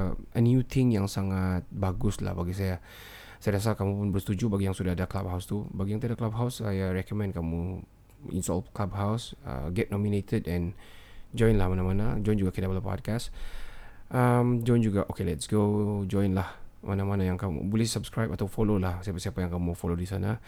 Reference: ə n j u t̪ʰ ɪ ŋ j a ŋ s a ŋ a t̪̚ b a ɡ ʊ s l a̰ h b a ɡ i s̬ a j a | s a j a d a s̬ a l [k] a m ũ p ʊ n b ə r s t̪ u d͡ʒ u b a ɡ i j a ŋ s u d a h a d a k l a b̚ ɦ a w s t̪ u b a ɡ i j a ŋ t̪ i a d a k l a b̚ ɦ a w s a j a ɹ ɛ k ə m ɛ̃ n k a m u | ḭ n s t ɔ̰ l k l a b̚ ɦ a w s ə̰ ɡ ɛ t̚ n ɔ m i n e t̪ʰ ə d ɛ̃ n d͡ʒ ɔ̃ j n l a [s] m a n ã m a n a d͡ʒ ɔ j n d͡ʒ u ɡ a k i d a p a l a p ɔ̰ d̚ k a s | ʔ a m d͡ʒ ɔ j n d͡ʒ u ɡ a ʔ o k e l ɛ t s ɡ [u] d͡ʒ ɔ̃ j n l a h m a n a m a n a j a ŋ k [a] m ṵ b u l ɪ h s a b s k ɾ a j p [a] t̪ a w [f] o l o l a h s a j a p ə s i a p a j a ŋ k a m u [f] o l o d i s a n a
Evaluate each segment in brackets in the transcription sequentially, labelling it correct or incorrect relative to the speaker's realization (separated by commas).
correct, incorrect, incorrect, correct, correct, correct, correct